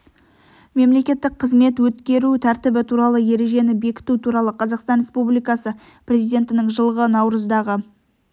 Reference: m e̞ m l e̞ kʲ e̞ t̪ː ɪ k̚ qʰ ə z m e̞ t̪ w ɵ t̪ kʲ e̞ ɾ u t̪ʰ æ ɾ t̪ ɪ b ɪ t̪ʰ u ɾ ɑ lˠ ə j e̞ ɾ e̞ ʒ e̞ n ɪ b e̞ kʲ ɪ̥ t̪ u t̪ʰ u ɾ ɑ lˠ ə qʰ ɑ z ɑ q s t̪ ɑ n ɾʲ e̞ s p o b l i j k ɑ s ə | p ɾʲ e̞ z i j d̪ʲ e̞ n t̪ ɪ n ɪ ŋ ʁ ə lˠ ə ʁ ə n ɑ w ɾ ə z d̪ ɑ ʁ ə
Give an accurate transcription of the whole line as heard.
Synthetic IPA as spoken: m e̞ m l e̞ kʲ e̞ t̪ː ɪ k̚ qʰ ə z m e̞ t̪ w ɵ t̪ kʲ e̞ ɾ u t̪ʰ æ ɾ t̪ ɪ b ɪ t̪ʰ u ɾ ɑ lˠ ə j e̞ ɾ e̞ ʒ e̞ n ɪ b e̞ kʲ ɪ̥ t̪ u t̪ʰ u ɾ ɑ lˠ ə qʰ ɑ z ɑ q s t̪ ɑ n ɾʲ e̞ s p u b l i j k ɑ s ə | p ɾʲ e̞ z i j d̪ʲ e̞ n t̪ ɪ n ɪ ŋ ʒ ə lˠ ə ʁ ə n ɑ w ɾ ə z d̪ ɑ ʁ ə